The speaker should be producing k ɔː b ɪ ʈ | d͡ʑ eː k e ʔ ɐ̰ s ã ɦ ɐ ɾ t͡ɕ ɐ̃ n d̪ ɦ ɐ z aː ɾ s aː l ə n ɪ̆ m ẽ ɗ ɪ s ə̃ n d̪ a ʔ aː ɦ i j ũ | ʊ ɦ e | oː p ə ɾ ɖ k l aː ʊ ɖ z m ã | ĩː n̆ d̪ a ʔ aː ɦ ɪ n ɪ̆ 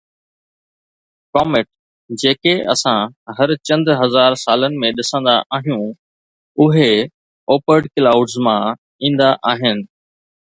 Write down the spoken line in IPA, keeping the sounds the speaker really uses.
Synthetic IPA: k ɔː m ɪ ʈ | d͡ʑ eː k e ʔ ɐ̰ s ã ɦ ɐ ɾ t͡ɕ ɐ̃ n d̪ ɦ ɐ z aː ɾ s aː l ə n ɪ̆ m ẽ ɗ ɪ s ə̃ n d̪ a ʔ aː ɦ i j ũ | ʊ ɦ e | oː p ə ɾ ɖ k l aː ʊ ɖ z m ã | ĩː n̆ d̪ a ʔ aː ɦ ɪ n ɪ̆